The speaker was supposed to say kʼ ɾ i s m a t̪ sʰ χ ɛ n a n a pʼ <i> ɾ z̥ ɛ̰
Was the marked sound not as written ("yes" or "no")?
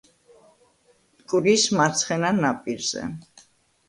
no